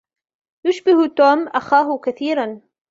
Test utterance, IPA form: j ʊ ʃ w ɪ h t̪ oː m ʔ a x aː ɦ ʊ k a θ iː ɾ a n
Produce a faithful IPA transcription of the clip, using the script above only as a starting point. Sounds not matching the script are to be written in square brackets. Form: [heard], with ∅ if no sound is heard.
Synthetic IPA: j ʊ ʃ [b] ɪ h t̪ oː m ʔ a x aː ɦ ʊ k a θ iː ɾ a n